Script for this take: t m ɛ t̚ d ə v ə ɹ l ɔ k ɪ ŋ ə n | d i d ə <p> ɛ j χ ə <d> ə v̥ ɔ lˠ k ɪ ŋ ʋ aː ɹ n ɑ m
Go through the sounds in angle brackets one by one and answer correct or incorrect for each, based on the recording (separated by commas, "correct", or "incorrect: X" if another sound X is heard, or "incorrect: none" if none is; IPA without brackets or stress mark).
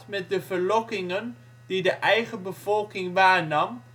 incorrect: ʔ, incorrect: b